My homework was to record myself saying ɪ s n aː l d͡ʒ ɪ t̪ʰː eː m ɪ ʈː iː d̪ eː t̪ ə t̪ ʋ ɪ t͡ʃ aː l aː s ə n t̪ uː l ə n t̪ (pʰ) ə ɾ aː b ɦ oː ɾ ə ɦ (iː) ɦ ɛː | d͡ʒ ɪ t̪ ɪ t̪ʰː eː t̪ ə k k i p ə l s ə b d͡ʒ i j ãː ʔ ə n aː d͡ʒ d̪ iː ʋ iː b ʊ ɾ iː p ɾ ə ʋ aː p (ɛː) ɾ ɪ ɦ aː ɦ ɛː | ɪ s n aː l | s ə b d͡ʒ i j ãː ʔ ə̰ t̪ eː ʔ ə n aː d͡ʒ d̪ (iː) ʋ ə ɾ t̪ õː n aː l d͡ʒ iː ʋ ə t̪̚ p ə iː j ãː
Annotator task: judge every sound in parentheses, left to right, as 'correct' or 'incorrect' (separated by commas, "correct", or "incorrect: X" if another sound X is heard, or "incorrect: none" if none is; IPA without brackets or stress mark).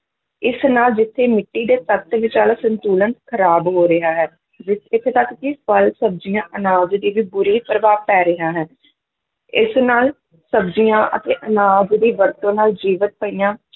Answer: incorrect: kʰ, incorrect: aː, correct, correct